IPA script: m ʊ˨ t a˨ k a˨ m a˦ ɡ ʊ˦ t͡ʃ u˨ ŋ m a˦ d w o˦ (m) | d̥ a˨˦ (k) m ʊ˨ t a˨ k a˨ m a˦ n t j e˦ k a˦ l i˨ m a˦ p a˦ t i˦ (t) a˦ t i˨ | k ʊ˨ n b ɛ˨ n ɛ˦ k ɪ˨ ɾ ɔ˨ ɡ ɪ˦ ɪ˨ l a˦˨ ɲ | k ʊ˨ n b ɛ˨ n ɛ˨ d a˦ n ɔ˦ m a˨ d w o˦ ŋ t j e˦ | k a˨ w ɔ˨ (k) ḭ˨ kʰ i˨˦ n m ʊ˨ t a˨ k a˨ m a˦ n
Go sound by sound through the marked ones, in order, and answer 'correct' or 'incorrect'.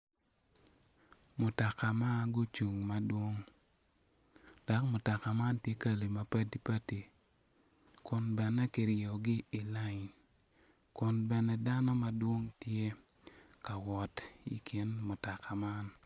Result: incorrect, correct, incorrect, incorrect

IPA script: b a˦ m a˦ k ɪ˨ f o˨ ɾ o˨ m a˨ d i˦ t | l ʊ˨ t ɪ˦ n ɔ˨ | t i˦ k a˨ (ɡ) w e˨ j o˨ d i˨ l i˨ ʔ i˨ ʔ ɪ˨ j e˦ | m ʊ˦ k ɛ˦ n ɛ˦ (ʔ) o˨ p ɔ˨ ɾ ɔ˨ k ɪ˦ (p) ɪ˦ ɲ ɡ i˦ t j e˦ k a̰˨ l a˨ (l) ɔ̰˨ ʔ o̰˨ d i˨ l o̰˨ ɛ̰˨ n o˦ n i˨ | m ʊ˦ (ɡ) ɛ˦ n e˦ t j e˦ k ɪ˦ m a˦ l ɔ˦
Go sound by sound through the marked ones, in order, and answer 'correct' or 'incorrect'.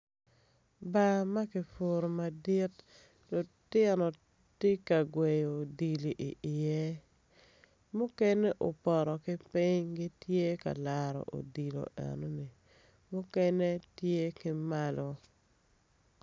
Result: correct, correct, correct, incorrect, incorrect

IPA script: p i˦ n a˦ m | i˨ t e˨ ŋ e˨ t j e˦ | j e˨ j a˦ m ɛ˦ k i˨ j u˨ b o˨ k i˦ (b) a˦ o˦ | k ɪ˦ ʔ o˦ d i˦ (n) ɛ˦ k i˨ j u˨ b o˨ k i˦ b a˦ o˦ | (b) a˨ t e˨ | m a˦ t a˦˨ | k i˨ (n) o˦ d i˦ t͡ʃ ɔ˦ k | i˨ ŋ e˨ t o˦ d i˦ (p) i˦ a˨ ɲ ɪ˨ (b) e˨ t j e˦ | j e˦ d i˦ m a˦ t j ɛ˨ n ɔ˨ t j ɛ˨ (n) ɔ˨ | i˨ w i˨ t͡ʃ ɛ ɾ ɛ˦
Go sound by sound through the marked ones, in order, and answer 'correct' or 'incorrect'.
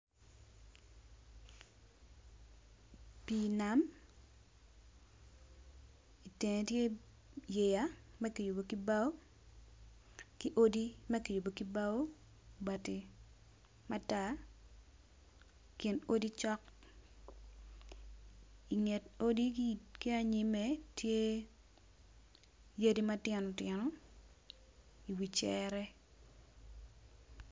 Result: correct, incorrect, correct, correct, incorrect, incorrect, correct

